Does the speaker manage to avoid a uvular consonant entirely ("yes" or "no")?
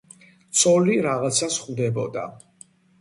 no